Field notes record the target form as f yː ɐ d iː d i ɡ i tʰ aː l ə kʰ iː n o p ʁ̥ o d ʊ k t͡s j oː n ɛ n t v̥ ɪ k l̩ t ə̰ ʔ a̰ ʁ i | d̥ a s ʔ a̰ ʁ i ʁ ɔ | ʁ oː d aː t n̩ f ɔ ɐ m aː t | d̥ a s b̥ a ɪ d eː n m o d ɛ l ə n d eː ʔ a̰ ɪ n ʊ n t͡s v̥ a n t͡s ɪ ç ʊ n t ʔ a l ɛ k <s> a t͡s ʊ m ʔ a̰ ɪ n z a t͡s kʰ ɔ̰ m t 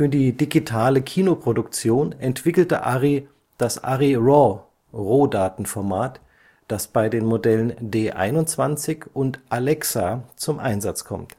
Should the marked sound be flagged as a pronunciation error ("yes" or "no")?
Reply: no